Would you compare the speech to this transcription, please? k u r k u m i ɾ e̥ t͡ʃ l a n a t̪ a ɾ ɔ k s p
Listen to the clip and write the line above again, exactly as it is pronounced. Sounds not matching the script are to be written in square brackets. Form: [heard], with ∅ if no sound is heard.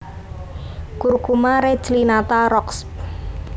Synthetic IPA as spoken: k u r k u m [a] ɾ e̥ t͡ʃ l [i] n a t̪ a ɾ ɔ k s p